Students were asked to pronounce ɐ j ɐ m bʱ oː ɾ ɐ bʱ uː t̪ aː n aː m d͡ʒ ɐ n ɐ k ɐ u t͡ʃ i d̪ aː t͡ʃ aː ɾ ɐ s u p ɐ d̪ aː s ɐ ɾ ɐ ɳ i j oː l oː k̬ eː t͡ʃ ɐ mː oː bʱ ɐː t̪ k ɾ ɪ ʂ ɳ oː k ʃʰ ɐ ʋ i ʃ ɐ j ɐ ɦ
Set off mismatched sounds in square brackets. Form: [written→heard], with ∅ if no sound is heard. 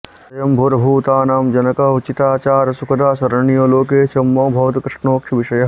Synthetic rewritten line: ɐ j ɐ m bʱ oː ɾ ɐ bʱ uː t̪ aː n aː m d͡ʒ ɐ n ɐ k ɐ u t͡ʃ i [d̪→t̪] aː t͡ʃ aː ɾ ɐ s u [p→k] ɐ d̪ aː s ɐ ɾ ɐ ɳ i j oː l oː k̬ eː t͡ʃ ɐ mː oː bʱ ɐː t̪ k ɾ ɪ ʂ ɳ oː k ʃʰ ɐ ʋ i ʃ ɐ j ɐ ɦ

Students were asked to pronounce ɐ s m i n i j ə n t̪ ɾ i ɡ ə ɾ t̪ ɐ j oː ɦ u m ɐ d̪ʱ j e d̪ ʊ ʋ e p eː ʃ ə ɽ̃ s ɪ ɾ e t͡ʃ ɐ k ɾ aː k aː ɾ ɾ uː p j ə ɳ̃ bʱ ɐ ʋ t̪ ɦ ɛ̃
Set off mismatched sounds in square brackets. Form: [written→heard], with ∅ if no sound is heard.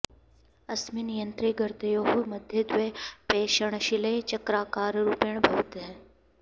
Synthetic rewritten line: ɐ s m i n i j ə n t̪ ɾ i ɡ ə ɾ t̪ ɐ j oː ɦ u m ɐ d̪ʱ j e d̪ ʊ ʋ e p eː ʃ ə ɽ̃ [s→ʃ] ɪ [ɾ→l] e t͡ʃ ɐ k ɾ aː k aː ɾ ɾ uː p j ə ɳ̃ bʱ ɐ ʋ t̪ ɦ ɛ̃

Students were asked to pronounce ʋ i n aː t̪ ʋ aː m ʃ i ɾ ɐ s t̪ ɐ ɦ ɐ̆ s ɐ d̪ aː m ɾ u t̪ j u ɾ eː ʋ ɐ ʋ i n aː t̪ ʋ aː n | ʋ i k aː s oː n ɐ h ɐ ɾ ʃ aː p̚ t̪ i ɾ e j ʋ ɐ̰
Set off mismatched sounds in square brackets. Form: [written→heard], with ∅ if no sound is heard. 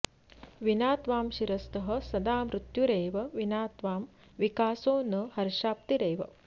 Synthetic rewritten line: ʋ i n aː t̪ ʋ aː m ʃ i ɾ ɐ s t̪ ɐ ɦ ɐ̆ s ɐ d̪ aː m ɾ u t̪ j u ɾ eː ʋ ɐ ʋ i n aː t̪ ʋ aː [n→m] | ʋ i k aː s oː n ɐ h ɐ ɾ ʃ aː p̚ t̪ i ɾ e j ʋ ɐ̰

